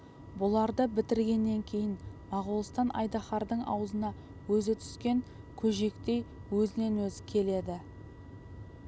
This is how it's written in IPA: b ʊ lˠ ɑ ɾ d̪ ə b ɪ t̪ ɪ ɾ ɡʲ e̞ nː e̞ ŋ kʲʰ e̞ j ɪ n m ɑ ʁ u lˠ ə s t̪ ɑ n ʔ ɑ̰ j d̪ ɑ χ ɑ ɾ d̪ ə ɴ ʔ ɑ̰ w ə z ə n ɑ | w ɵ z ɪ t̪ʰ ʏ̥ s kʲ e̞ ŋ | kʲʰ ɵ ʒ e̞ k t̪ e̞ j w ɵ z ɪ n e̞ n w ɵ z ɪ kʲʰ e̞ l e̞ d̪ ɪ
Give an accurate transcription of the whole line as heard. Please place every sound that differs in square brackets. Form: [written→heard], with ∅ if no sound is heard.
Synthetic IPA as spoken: b ʊ lˠ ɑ ɾ d̪ ə b ɪ t̪ ɪ ɾ ɡʲ e̞ nː e̞ ŋ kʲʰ e̞ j ɪ n m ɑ ʁ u lˠ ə s t̪ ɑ n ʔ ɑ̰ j d̪ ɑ χ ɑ ɾ d̪ ə ɴ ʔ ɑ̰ w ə z ə n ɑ | w ɵ z ɪ t̪ʰ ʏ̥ s kʲ e̞ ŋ | kʲʰ ɵ ʒ e̞ k t̪ e̞ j w ɵ z ɪ n e̞ n w ɵ z ɪ kʲʰ e̞ l e̞ d̪ ɪ

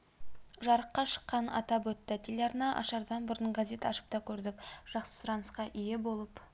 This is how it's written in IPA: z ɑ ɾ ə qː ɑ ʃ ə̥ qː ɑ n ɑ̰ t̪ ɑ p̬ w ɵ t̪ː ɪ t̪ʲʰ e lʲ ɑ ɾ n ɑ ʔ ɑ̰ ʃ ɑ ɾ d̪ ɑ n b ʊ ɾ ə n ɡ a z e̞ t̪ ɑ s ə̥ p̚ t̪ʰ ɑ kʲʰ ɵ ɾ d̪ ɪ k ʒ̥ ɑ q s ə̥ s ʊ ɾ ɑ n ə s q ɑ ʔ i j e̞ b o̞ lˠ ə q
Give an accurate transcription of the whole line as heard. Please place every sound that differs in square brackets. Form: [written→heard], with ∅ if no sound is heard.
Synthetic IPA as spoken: [z→ʒ] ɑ ɾ ə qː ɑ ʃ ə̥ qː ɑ n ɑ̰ t̪ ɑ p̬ w ɵ t̪ː ɪ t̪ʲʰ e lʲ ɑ ɾ n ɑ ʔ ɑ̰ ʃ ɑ ɾ d̪ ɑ n b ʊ ɾ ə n ɡ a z e̞ t̪ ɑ [s→ʃ] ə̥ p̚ [t̪ʰ→t̪] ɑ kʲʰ ɵ ɾ d̪ ɪ k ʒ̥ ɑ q s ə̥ s ʊ ɾ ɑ n ə s q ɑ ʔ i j e̞ b o̞ lˠ ə [q→p]

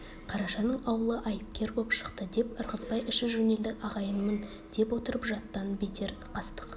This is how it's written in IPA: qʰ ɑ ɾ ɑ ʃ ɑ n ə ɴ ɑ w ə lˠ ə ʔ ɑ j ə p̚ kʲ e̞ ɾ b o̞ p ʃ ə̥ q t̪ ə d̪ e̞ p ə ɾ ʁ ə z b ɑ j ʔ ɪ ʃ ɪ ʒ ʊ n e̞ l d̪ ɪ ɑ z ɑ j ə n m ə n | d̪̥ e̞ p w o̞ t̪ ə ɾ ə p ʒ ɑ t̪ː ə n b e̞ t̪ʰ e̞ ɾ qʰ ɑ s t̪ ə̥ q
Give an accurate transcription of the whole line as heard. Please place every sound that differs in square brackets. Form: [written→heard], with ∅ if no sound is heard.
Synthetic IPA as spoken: qʰ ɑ ɾ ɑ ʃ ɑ n ə ɴ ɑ w ə lˠ ə ʔ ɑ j ə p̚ kʲ e̞ ɾ b o̞ p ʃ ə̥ q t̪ ə d̪ e̞ p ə ɾ ʁ ə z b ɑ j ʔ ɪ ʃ ɪ ʒ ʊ n e̞ l d̪ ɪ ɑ [z→ʁ] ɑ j ə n m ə n | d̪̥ e̞ p w o̞ t̪ ə ɾ ə p ʒ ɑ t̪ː [ə→ɑ] n b e̞ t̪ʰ e̞ ɾ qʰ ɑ s t̪ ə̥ q

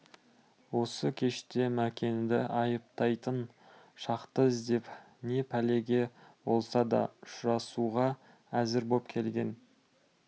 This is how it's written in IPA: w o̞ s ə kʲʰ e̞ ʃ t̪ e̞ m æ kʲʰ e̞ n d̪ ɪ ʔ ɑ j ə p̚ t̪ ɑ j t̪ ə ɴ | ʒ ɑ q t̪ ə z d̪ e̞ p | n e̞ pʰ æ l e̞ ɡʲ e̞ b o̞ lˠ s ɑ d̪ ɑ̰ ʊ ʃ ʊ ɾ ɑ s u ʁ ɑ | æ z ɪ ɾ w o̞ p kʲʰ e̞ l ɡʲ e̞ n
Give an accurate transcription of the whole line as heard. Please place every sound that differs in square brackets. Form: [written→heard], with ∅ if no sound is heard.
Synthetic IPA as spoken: w o̞ s ə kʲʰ e̞ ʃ t̪ e̞ m æ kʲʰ e̞ n d̪ ɪ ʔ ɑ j ə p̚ t̪ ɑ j t̪ ə [ɴ→n] | [ʒ→ʃ] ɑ q t̪ ə z d̪ e̞ p | n e̞ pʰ æ l e̞ ɡʲ e̞ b o̞ lˠ s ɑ d̪ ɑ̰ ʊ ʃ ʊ ɾ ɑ s u ʁ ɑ | æ z ɪ ɾ [w→b] o̞ p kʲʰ e̞ l ɡʲ e̞ n

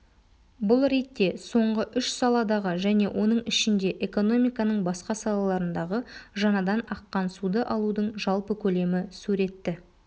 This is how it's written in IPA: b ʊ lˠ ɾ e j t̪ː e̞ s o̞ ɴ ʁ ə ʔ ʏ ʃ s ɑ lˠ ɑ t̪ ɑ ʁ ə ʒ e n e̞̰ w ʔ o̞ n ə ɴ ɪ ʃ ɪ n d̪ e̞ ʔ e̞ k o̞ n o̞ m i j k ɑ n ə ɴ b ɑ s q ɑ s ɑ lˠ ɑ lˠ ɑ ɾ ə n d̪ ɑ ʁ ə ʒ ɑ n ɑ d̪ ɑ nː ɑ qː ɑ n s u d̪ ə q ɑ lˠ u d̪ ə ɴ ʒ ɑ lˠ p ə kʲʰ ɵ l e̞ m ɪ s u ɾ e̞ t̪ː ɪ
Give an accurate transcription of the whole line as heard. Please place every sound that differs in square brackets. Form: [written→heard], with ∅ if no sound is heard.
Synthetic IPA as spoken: b ʊ lˠ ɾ e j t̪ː e̞ s o̞ ɴ ʁ ə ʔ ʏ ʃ s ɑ lˠ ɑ [t̪→d̪] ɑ ʁ ə ʒ [e→æ] n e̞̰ w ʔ o̞ n ə ɴ ɪ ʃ ɪ n d̪ e̞ ʔ e̞ k o̞ n o̞ m i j k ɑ n ə ɴ b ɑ s q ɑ s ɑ lˠ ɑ lˠ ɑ ɾ ə n d̪ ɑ ʁ ə ʒ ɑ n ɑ d̪ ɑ [nː→n] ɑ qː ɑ n s u d̪ ə [q→ʔ] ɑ lˠ u d̪ ə ɴ ʒ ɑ lˠ p ə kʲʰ ɵ l e̞ m ɪ s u ɾ e̞ t̪ː ɪ

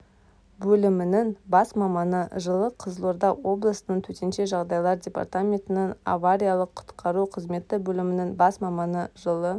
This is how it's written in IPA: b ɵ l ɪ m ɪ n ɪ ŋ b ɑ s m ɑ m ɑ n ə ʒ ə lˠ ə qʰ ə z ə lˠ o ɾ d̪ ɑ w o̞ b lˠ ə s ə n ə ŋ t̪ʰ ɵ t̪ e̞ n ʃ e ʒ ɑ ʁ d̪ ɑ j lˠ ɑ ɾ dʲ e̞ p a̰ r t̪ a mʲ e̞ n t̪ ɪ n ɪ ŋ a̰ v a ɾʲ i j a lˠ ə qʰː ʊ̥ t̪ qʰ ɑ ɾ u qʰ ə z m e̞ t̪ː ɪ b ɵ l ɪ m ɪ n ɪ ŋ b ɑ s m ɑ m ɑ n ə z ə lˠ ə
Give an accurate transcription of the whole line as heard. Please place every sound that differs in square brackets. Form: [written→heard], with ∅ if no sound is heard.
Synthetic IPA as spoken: b ɵ l ɪ m ɪ n ɪ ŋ b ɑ s m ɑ m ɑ n ə ʒ ə lˠ ə qʰ ə z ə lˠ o ɾ d̪ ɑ w o̞ b lˠ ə s ə n ə [ŋ→ɴ] t̪ʰ ɵ t̪ e̞ n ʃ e ʒ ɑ ʁ d̪ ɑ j lˠ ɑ ɾ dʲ e̞ p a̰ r t̪ a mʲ e̞ n t̪ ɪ n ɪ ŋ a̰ v a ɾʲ i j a lˠ ə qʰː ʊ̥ t̪ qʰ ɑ ɾ u qʰ ə z m e̞ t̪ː ɪ b ɵ l ɪ m ɪ n ɪ ŋ b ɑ s m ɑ m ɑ n ə [z→ʒ] ə lˠ ə

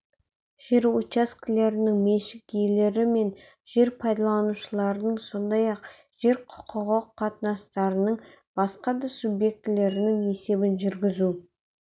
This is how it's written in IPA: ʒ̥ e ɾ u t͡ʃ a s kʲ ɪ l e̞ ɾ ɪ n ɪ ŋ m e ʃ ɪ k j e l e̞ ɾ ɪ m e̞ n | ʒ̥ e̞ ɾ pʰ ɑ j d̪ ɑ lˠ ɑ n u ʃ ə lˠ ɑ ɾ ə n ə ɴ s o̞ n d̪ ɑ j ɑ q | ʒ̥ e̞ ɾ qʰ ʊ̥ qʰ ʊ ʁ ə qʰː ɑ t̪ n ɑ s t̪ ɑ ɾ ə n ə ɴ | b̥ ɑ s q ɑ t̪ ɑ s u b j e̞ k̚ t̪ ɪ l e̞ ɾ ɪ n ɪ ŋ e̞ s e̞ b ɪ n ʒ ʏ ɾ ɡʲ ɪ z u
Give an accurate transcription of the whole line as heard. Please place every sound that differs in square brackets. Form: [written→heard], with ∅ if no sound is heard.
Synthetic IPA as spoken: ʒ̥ e ɾ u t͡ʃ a s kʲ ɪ l e̞ ɾ ɪ n ɪ ŋ m e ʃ ɪ k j e l e̞ ɾ ɪ m e̞ n | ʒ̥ e̞ ɾ pʰ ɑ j d̪ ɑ lˠ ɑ n u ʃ ə lˠ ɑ ɾ ə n ə ɴ s o̞ n d̪ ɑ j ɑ q | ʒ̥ e̞ ɾ qʰ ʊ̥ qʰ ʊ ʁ ə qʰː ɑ t̪ n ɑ s t̪ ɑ ɾ ə n ə ɴ | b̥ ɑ s q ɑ [t̪→d̪] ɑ s u b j e̞ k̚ t̪ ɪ l e̞ ɾ ɪ n ɪ ŋ e̞ s e̞ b ɪ n ʒ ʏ ɾ ɡʲ ɪ z u

